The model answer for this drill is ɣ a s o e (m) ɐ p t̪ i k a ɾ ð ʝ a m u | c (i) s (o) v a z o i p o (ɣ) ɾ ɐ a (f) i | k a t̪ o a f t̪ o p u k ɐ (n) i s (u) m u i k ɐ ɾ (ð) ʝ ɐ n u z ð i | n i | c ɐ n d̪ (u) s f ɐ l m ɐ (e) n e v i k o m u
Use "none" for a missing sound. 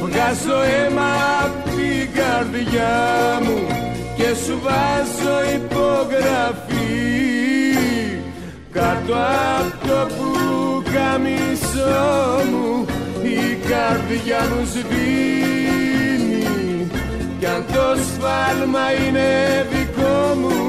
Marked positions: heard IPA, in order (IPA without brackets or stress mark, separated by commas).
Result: m, e, u, ɣ, f, m, o, ð, o, i